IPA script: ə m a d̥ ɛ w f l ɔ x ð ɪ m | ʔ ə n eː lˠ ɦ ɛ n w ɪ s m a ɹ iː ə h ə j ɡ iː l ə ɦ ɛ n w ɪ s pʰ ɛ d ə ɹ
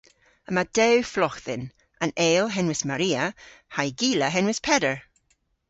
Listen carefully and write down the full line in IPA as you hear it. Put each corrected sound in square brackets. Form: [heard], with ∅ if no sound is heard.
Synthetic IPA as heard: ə m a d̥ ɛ w f l ɔ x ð ɪ [n] | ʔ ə n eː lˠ ɦ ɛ n w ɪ s m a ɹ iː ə h [a] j ɡ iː l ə ɦ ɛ n w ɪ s pʰ ɛ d ə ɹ